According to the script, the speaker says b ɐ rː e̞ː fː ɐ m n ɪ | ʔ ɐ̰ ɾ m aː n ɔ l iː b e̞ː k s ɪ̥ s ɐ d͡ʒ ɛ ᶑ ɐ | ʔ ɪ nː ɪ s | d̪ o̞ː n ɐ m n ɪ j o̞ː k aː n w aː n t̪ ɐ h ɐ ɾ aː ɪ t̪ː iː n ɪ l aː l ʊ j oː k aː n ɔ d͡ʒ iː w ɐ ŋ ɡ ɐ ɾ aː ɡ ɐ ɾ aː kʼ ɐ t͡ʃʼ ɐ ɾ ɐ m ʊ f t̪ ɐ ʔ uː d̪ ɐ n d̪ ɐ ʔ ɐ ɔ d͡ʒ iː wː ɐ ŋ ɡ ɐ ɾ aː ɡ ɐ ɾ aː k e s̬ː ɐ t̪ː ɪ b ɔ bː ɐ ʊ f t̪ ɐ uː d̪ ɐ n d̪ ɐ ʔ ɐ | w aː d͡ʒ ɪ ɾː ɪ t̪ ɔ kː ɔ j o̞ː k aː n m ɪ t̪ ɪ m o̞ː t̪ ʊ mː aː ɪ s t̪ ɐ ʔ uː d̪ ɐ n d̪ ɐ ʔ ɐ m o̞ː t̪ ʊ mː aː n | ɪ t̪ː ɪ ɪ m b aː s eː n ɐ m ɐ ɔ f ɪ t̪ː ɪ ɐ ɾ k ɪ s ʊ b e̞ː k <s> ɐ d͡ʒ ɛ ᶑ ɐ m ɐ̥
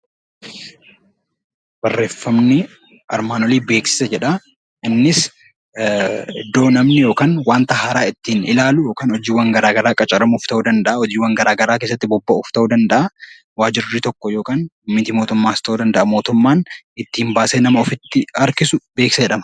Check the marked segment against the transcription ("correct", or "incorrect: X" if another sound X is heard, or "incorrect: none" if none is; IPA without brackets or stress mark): correct